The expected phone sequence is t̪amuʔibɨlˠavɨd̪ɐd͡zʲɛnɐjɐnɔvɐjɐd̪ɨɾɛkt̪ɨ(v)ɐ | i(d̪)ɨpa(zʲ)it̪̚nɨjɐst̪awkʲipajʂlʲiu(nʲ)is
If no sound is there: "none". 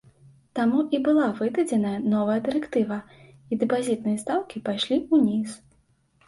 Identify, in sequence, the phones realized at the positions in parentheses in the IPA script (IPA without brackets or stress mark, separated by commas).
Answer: v, d̪, zʲ, nʲ